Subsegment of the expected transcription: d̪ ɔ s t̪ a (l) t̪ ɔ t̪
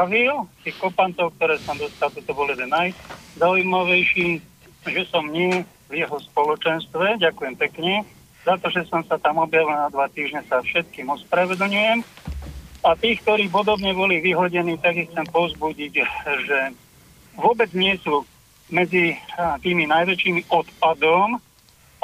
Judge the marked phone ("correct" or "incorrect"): correct